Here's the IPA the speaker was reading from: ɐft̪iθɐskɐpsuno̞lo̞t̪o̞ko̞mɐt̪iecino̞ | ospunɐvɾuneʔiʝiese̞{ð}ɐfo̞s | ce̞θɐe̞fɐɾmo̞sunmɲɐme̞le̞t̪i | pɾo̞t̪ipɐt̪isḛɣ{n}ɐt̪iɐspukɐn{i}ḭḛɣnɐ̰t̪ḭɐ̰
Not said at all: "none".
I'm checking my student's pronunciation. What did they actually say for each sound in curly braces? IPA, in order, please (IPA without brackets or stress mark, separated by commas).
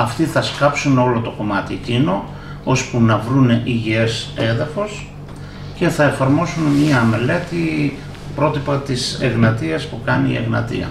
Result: ð, n, i